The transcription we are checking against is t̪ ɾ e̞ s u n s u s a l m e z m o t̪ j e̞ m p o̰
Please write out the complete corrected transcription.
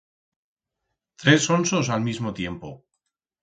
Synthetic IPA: t̪ ɾ e̞ s o n s o s a l m i z m o t̪ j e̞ m p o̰